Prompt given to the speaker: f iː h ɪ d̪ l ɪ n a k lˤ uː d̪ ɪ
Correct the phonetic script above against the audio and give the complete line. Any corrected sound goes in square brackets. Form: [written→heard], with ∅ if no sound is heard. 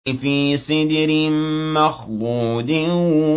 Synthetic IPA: f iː [h→s] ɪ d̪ [l→ɾ] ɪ [n→m] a [k→x] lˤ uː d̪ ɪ